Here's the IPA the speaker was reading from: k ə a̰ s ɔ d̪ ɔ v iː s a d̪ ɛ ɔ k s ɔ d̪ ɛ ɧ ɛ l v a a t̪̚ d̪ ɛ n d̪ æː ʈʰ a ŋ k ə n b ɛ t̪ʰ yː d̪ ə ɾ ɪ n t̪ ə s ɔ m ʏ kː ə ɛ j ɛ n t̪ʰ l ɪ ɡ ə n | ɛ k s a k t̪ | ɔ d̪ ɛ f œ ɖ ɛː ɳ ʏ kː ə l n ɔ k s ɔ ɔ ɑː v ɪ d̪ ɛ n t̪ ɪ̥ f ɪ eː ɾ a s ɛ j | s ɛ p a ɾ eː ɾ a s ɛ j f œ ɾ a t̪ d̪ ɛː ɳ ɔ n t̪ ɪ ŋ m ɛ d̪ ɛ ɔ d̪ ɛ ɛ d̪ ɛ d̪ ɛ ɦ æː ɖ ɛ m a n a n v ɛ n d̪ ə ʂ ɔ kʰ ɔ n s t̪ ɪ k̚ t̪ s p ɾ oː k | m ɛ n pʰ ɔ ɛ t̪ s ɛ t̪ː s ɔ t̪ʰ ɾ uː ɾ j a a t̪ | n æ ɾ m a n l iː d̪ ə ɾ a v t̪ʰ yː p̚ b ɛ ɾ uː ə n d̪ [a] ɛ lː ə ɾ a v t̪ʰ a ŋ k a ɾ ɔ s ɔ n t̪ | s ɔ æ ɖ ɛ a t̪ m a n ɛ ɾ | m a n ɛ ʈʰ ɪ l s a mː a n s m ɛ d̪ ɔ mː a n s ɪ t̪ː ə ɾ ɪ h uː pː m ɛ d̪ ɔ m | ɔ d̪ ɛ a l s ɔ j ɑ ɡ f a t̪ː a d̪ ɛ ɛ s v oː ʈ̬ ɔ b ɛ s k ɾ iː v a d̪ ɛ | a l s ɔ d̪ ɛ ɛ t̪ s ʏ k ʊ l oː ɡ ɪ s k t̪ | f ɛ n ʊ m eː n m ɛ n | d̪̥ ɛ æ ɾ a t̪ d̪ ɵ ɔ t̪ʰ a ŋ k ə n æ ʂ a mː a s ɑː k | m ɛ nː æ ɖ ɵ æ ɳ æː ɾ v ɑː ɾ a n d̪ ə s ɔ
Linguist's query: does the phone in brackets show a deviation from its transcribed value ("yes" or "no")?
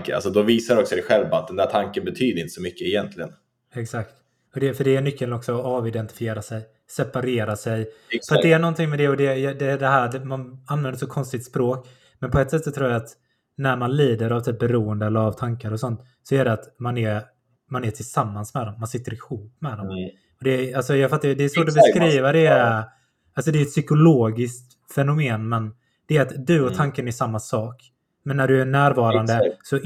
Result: yes